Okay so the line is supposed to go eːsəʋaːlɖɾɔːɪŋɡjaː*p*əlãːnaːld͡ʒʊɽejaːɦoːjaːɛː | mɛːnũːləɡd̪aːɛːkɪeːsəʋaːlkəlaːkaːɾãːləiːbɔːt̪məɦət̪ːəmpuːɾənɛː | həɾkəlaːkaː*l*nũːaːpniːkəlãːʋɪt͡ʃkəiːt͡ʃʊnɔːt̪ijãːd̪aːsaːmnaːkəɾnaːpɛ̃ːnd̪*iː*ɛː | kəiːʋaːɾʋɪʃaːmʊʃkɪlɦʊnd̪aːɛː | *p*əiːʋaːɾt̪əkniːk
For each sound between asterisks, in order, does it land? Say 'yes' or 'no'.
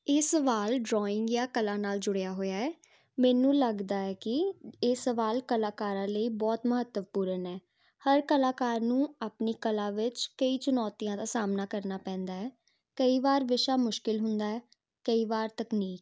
no, no, no, no

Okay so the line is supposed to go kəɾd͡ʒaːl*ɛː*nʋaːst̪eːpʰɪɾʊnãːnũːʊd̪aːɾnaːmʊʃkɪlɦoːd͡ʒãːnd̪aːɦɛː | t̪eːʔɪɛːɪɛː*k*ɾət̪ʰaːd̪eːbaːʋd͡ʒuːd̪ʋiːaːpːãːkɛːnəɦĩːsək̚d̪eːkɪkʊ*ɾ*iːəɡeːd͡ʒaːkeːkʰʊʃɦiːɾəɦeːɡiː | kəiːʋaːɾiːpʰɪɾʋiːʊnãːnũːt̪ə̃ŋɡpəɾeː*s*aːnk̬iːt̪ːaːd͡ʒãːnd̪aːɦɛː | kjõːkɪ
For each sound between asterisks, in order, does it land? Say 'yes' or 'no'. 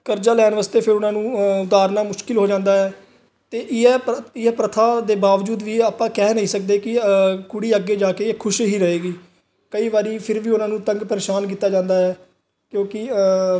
yes, no, no, no

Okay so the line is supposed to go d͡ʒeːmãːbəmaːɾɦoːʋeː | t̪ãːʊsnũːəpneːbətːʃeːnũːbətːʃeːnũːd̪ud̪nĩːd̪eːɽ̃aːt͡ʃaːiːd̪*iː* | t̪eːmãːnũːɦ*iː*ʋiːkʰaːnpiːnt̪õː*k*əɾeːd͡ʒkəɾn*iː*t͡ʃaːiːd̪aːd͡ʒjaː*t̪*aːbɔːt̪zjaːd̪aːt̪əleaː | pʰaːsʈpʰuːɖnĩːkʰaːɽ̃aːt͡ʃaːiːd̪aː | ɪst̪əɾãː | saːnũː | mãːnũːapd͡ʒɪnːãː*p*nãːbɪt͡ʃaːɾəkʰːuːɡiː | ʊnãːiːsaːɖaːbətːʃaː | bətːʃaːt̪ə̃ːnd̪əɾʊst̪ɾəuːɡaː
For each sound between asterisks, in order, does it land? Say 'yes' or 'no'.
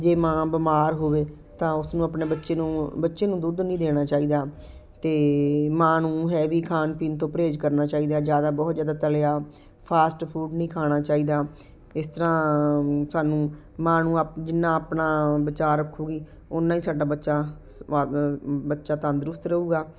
no, no, no, no, no, yes

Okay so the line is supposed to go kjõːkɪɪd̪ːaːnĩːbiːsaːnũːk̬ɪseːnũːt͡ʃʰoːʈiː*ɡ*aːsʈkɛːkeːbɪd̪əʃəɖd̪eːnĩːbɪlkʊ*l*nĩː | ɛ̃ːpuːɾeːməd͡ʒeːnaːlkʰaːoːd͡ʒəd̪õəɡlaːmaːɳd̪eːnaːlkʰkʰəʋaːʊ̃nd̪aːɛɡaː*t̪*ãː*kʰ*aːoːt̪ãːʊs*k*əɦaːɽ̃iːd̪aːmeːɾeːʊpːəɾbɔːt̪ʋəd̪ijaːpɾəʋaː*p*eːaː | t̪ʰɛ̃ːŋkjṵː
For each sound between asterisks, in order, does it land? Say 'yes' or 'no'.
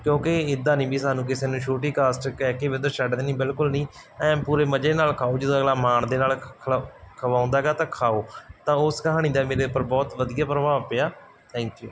no, yes, yes, yes, yes, yes

